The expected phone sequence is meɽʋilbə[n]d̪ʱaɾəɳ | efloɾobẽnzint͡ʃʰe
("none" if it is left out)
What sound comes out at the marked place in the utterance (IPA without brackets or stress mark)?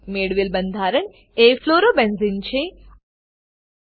n